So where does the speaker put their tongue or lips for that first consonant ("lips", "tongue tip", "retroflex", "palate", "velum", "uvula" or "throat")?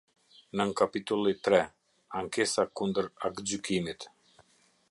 tongue tip